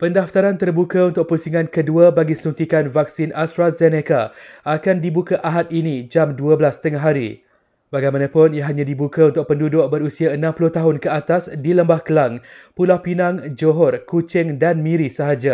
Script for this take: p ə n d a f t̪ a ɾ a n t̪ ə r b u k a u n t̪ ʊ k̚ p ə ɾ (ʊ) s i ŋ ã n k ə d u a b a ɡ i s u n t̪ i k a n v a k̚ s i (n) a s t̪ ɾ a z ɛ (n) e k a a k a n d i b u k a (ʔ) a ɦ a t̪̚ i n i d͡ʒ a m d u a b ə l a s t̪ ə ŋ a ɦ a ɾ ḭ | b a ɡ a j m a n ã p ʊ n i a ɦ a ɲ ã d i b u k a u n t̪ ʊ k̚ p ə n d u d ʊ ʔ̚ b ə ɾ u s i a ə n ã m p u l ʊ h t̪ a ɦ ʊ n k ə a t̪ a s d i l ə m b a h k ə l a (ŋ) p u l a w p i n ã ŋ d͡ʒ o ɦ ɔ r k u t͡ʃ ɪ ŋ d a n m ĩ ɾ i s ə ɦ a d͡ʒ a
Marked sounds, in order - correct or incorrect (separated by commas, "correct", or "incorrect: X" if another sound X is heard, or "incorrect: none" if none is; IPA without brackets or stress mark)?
incorrect: u, correct, correct, correct, correct